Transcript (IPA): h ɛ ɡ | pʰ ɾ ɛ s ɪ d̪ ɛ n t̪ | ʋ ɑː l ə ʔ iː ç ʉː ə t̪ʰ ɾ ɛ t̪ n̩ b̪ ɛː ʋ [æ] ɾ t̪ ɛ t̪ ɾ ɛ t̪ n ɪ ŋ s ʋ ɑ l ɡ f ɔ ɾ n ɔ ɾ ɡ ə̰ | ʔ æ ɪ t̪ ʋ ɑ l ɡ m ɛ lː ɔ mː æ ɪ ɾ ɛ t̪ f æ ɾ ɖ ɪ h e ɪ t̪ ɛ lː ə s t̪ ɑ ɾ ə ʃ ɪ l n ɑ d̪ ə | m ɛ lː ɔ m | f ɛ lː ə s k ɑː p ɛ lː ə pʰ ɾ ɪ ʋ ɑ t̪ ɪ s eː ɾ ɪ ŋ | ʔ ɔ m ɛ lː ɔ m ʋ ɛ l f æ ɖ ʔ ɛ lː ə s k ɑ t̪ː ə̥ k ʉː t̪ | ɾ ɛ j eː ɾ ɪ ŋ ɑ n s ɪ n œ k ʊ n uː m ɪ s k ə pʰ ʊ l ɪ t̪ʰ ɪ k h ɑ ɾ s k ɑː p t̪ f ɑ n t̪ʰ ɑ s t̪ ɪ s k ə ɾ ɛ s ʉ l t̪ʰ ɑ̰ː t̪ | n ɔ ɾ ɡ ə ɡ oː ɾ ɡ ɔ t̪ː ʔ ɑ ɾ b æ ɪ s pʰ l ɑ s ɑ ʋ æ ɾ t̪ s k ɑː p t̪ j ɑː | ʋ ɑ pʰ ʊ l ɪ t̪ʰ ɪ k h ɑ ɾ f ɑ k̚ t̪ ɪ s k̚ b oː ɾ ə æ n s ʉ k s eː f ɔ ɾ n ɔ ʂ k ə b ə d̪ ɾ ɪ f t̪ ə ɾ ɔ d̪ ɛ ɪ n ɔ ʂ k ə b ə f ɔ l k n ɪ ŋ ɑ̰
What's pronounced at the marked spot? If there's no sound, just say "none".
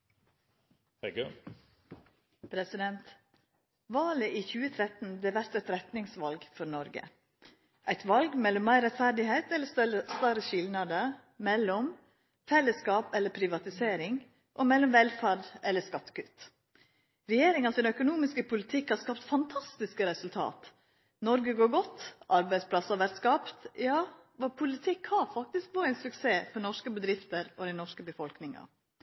æ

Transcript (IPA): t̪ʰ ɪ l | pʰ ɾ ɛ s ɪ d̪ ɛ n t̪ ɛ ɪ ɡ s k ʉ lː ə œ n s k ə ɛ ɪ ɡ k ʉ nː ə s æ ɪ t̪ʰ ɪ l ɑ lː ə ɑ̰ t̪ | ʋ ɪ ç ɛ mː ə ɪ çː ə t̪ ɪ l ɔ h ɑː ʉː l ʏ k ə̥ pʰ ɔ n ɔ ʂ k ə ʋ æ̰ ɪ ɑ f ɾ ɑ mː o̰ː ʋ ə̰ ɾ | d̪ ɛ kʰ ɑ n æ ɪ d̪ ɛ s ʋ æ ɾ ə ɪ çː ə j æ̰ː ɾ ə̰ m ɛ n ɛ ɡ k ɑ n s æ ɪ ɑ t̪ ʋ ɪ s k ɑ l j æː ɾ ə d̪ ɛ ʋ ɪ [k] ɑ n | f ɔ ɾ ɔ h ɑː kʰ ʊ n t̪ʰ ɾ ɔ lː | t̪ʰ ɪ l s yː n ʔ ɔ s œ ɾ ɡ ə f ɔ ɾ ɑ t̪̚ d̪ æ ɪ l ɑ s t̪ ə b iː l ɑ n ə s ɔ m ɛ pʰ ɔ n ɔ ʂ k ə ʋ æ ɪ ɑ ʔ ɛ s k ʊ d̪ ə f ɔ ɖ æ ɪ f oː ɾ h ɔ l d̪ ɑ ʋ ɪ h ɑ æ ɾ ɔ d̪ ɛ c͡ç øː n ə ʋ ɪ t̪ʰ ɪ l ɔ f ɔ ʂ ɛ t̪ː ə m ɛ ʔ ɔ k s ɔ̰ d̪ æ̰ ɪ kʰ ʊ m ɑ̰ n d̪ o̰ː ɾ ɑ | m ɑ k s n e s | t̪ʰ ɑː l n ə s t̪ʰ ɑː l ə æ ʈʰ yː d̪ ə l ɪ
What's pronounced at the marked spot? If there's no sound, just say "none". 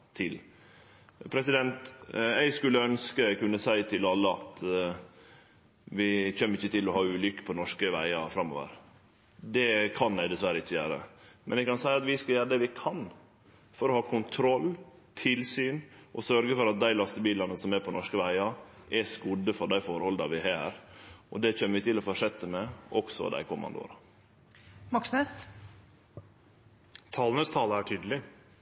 kʰ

